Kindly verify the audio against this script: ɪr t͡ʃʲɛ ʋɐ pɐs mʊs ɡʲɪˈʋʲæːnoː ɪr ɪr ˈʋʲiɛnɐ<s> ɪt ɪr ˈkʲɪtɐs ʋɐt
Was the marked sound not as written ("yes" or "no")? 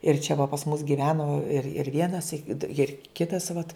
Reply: no